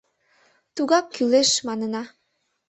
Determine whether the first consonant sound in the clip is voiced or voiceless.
voiceless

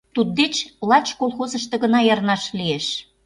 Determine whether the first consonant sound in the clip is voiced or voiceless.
voiceless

